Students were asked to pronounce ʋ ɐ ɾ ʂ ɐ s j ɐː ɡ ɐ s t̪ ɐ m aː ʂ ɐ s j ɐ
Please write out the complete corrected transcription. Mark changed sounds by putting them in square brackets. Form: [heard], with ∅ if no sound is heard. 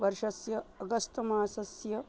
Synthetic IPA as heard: ʋ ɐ ɾ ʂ ɐ s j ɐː ɡ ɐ s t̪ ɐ m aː [s] ɐ s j ɐ